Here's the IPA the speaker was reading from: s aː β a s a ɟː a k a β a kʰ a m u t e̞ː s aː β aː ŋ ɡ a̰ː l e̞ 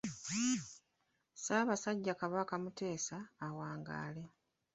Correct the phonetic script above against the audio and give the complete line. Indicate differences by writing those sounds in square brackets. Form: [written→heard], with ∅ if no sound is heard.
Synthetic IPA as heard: s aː β a s a ɟː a k a β a [kʰ→k] a m u t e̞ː s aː [β→w] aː ŋ ɡ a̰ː l e̞